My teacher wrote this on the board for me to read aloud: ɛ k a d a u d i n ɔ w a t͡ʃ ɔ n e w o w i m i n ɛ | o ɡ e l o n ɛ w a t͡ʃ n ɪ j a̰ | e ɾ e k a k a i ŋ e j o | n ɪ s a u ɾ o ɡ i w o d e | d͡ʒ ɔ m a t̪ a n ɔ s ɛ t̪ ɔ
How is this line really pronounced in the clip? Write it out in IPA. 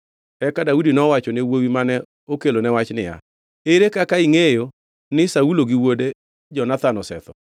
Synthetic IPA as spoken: ɛ k a d a u d i n ɔ w a t͡ʃ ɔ n e w o w i m a n ɛ | o k e l o n ɛ w a t͡ʃ n ɪ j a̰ | e ɾ e k a k a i ŋ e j o | n ɪ s a u l o ɡ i w o d e | d͡ʒ ɔ n a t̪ a n ɔ s ɛ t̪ ɔ

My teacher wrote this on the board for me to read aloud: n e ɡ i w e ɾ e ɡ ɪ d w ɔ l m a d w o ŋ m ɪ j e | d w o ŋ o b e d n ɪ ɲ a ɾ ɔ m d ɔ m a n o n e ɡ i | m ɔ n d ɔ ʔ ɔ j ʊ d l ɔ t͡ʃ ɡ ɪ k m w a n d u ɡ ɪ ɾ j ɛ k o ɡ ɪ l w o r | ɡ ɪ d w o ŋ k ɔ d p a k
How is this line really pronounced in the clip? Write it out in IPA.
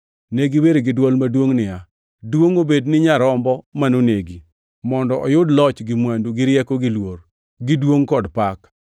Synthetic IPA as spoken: n e ɡ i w e ɾ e ɡ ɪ d w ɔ l m a d w o ŋ n ɪ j a | d w o ŋ o b e d n ɪ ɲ a ɾ ɔ m b ɔ m a n o n e ɡ i | m ɔ n d ɔ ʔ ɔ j ʊ d l ɔ t͡ʃ ɡ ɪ m w a n d u ɡ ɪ ɾ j ɛ k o ɡ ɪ l w o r | ɡ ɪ d w o ŋ k ɔ d p a k

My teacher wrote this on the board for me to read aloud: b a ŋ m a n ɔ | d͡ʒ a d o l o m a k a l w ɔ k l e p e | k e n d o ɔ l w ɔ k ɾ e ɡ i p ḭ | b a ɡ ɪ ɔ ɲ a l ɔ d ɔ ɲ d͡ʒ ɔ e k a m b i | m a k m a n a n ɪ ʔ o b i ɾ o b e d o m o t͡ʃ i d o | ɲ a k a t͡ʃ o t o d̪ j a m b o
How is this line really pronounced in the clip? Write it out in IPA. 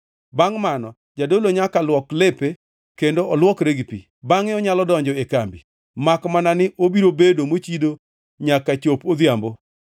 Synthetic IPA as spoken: b a ŋ m a n ɔ | d͡ʒ a d o l o ɲ a k a l w ɔ k l e p e | k e n d o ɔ l w ɔ k ɾ e ɡ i p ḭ | b a ŋ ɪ ɔ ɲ a l ɔ d ɔ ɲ d͡ʒ ɔ e k a m b i | m a k m a n a n ɪ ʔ o b i ɾ o b e d o m o t͡ʃ i d o | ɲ a k a t͡ʃ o p o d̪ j a m b o

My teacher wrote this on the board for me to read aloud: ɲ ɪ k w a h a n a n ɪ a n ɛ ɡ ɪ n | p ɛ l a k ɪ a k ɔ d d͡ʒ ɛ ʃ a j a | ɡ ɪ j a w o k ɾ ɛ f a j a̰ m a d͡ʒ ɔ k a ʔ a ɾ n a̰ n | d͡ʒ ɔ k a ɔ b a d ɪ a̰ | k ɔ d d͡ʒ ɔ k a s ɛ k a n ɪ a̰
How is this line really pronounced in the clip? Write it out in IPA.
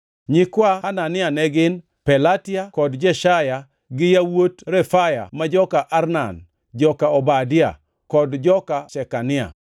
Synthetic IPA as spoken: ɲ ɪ k w a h a n a n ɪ a n ɛ ɡ ɪ n | p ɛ l a t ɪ a k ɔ d d͡ʒ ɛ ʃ a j a | ɡ ɪ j a w o t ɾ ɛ f a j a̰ m a d͡ʒ ɔ k a ʔ a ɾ n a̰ n | d͡ʒ ɔ k a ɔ b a d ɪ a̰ | k ɔ d d͡ʒ ɔ k a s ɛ k a n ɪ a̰

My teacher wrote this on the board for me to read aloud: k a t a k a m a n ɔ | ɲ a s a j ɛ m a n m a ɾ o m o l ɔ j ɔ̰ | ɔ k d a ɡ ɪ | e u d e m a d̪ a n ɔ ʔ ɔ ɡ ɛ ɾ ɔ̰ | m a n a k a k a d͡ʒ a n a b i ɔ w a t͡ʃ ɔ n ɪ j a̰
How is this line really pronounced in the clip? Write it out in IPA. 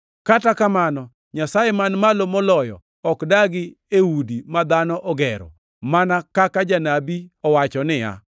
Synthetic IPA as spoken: k a t a k a m a n ɔ | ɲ a s a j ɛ m a n m a l o m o l ɔ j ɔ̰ | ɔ k d a ɡ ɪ | e u d i m a d̪ a n ɔ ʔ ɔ ɡ ɛ ɾ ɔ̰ | m a n a k a k a d͡ʒ a n a b i ɔ w a t͡ʃ ɔ n ɪ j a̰

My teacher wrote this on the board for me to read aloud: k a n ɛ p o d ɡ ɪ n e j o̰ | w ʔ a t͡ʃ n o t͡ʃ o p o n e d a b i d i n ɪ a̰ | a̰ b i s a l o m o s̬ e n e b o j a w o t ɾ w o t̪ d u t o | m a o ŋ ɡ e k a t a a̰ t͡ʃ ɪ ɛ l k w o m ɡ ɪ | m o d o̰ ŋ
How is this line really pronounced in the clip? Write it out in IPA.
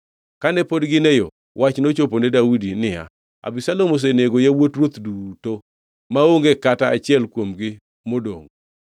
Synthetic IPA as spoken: k a n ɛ p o d ɡ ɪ n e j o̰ | w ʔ a t͡ʃ n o t͡ʃ o p o n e d a w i d i n ɪ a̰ | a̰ b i s a l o m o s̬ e n e ɡ o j a w o t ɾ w o t̪ d u t o | m a o ŋ ɡ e k a t a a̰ t͡ʃ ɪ ɛ l k w o m ɡ ɪ | m o d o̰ ŋ

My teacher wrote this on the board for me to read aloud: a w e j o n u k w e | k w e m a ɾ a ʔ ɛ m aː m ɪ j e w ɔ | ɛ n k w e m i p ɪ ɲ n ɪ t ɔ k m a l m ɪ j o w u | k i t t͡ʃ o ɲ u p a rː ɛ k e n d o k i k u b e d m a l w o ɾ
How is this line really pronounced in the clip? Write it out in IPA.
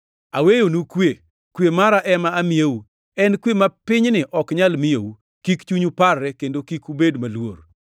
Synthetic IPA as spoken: a w e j o n u k w e | k w e m a ɾ a ʔ ɛ m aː m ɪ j e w u | ɛ n k w e m a p ɪ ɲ n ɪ ʔ ɔ k ɲ a l m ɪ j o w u | k i k t͡ʃ u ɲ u p a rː ɛ k e n d o k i k u b e d m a l w o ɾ

